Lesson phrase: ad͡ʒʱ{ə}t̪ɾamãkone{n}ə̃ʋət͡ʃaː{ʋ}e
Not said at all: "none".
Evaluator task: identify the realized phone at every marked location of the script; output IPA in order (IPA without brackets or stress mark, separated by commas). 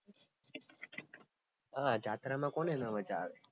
a, n, ʋ